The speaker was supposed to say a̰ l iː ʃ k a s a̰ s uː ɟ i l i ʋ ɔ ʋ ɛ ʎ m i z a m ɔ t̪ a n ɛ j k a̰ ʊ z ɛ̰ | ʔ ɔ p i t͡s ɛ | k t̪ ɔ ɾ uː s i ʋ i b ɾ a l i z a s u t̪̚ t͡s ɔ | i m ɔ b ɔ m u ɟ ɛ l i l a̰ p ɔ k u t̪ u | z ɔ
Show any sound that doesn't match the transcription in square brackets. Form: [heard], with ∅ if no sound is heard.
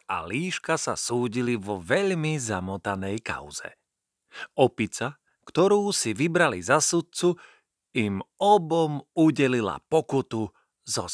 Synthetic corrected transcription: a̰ l iː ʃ k a s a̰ s uː ɟ i l i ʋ ɔ ʋ ɛ ʎ m i z a m ɔ t̪ a n ɛ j k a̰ ʊ z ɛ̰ | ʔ ɔ p i t͡s [a] | k t̪ ɔ ɾ uː s i ʋ i b ɾ a l i z a s u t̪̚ t͡s [u] | i m ɔ b ɔ m u ɟ ɛ l i l a̰ p ɔ k u t̪ u | z ɔ